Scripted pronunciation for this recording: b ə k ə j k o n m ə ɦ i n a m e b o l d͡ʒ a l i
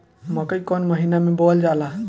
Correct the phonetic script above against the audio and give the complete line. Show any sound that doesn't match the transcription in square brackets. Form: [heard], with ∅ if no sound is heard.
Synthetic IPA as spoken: [m] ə k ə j k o n m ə ɦ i n a m e b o l d͡ʒ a l [a]